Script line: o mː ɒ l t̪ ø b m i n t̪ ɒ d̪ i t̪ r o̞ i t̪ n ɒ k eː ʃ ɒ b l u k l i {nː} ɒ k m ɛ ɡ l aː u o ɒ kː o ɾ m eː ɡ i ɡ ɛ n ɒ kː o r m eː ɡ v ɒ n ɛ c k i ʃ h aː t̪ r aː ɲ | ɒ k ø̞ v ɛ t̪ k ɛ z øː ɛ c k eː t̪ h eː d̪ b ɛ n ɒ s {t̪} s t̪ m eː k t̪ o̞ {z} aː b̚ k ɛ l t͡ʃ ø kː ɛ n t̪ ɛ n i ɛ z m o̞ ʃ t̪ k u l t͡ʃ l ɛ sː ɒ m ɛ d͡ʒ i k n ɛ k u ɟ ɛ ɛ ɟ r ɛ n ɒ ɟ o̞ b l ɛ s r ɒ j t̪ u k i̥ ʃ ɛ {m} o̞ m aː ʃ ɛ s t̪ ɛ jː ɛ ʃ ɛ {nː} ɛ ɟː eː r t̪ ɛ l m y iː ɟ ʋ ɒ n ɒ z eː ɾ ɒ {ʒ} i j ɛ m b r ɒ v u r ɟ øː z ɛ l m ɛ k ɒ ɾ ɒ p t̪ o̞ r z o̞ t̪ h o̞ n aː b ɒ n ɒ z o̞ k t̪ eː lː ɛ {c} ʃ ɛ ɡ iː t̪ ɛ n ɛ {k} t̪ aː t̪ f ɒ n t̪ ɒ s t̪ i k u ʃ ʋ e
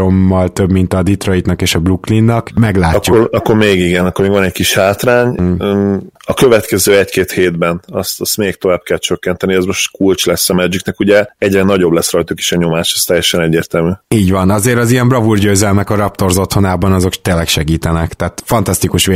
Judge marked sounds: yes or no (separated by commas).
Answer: yes, yes, no, no, no, no, no, yes